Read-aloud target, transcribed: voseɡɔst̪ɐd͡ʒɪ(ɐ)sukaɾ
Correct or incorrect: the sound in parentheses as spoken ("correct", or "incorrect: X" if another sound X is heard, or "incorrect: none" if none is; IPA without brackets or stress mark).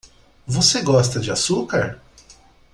incorrect: a